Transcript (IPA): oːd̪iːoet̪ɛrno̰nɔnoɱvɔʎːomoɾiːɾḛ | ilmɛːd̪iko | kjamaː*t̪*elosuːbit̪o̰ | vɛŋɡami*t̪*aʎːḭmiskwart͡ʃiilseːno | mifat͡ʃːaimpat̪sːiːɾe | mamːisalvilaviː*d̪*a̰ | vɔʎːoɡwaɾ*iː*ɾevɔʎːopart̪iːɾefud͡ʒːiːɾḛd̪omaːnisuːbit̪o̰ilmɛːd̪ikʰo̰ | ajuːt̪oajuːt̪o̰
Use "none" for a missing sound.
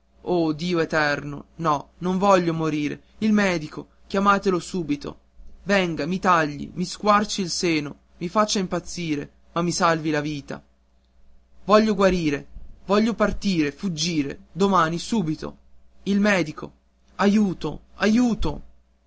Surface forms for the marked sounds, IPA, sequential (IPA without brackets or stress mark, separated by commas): t̪, t̪, t̪, iː